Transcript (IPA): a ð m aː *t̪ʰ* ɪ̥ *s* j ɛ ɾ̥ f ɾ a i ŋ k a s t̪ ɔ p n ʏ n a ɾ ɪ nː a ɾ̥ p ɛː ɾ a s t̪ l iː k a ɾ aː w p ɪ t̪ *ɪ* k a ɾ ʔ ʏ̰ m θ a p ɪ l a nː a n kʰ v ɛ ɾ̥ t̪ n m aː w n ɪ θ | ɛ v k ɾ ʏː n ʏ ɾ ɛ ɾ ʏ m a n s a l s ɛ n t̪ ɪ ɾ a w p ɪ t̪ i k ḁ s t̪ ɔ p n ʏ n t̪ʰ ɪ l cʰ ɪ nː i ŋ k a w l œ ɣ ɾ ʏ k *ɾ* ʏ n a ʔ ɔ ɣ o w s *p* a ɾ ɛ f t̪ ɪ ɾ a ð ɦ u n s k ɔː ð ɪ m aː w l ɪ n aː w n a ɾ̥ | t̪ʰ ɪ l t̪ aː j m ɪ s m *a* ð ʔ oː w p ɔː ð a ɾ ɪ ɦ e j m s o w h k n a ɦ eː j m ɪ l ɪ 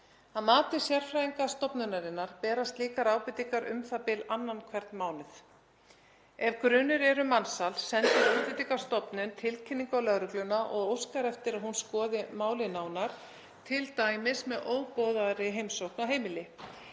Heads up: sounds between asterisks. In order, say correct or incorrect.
incorrect: t̪, correct, incorrect: i, incorrect: l, incorrect: k, incorrect: ɛ

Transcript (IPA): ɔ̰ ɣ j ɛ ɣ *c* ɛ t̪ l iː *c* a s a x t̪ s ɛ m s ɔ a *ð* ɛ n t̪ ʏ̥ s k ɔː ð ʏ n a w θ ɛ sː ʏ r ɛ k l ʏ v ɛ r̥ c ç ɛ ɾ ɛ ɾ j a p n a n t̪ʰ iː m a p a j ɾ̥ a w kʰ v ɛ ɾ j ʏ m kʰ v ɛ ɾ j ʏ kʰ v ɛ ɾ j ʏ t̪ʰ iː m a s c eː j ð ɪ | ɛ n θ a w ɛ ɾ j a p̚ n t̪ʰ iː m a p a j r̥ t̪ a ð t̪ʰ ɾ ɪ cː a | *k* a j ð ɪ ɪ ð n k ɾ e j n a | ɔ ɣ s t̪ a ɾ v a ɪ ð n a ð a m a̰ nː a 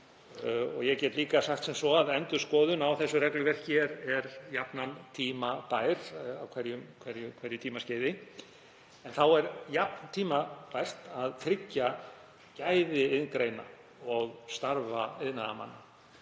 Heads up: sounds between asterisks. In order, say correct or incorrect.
correct, incorrect: k, correct, incorrect: c

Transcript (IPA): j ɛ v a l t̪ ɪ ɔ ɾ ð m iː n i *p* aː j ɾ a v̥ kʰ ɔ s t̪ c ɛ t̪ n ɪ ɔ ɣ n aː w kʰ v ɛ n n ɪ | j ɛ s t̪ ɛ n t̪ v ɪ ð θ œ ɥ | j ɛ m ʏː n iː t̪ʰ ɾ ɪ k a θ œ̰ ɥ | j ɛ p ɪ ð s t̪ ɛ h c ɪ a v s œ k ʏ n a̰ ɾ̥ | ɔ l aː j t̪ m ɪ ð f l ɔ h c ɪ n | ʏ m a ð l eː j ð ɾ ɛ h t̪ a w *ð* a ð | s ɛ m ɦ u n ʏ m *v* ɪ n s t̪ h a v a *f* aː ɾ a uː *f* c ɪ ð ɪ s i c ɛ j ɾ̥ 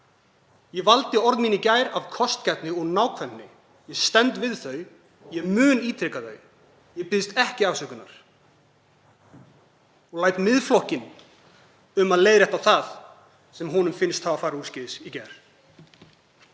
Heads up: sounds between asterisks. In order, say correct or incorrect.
incorrect: c, incorrect: θ, incorrect: f, correct, incorrect: s

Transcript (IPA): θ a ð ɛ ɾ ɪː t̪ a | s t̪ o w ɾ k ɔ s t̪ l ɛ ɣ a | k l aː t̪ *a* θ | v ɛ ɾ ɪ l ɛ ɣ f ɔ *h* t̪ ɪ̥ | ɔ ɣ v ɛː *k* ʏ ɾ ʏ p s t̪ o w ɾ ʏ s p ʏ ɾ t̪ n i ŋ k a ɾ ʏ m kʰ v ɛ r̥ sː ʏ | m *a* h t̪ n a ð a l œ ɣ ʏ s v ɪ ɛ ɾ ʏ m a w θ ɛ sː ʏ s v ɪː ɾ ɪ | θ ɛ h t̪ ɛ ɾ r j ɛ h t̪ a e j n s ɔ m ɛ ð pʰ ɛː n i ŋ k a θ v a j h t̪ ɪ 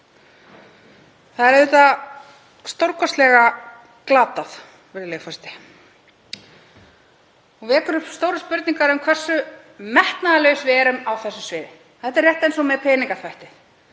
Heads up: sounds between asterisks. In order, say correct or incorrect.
correct, incorrect: s, correct, incorrect: ɛ

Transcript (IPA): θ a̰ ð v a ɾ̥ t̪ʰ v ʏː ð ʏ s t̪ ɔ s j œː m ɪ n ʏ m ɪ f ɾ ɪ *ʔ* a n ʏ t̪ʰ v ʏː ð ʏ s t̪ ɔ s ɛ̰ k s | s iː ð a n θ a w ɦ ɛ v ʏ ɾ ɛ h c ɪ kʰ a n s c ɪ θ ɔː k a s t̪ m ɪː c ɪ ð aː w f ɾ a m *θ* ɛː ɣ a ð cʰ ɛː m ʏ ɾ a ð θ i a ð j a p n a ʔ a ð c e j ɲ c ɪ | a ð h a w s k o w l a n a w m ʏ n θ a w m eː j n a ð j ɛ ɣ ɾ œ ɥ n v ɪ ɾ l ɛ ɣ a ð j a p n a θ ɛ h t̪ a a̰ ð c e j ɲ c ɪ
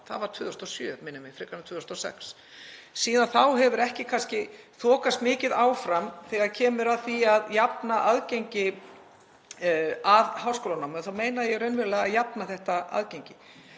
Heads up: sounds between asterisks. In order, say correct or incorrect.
incorrect: k, correct

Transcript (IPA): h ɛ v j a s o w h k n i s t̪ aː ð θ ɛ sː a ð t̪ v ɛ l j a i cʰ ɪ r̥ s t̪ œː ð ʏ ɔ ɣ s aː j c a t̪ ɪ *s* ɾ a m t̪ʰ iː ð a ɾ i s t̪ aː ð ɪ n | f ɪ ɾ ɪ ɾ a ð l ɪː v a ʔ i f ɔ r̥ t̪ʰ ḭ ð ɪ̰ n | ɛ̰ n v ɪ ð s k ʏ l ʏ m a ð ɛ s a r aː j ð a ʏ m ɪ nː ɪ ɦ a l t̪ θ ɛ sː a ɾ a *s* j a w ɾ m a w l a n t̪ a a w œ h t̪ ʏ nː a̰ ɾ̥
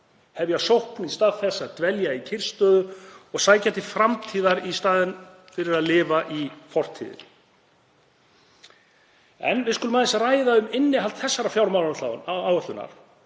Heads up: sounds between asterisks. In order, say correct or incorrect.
incorrect: f, incorrect: f

